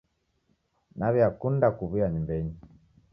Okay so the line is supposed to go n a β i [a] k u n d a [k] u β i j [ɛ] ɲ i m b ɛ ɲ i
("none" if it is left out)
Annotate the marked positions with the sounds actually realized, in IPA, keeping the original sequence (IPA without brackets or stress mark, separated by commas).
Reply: a, k, a